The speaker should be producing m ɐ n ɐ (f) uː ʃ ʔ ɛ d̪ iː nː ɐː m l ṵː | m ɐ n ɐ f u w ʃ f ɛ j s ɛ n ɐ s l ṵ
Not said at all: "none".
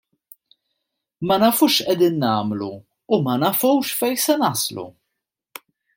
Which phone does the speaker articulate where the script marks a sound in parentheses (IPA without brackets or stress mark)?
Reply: f